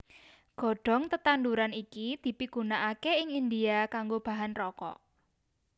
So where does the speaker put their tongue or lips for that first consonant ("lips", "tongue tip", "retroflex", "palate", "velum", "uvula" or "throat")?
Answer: velum